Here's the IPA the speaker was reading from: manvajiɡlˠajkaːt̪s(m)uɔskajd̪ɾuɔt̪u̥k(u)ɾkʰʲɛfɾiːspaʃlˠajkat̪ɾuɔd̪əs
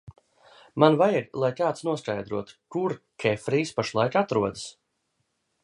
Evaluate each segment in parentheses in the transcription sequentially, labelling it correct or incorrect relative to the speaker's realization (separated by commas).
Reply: incorrect, correct